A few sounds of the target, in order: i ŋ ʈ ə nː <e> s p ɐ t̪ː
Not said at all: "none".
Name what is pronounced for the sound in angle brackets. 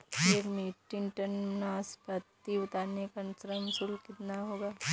a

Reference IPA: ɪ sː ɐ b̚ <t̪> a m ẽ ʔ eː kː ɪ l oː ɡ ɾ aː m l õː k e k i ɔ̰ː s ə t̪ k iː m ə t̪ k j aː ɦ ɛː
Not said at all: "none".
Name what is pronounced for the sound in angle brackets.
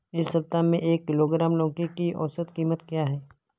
t̪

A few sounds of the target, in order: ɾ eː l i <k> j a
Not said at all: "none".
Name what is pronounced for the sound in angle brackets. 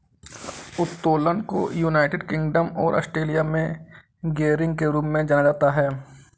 none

